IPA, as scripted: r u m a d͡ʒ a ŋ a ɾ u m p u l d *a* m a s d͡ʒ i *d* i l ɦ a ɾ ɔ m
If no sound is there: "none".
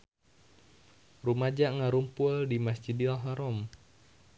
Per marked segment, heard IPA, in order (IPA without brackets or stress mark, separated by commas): i, d